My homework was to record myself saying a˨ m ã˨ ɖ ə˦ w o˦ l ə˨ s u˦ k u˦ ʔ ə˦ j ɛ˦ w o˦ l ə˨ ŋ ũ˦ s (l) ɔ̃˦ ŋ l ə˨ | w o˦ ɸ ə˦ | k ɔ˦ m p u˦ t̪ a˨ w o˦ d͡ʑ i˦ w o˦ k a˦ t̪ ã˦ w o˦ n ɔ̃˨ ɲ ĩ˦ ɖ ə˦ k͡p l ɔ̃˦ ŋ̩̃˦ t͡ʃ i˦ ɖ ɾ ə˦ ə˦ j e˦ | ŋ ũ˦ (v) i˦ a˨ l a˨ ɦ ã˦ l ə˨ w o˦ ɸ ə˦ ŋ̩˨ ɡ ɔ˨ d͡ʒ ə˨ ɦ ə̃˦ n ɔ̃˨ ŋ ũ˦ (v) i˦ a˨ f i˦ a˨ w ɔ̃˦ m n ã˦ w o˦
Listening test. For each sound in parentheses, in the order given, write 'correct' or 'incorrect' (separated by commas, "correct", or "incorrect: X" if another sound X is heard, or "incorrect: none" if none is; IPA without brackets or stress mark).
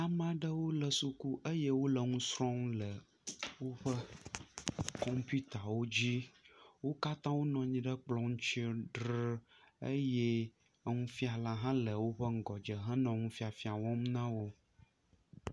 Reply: incorrect: ɾ, incorrect: f, incorrect: f